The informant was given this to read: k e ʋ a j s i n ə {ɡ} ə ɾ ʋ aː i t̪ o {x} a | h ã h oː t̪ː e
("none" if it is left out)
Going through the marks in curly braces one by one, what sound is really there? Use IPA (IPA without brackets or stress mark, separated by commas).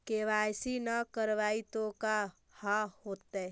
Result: k, k